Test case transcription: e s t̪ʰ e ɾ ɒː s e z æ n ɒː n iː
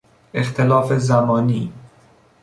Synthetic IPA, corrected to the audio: e x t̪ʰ e l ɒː f e z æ m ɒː n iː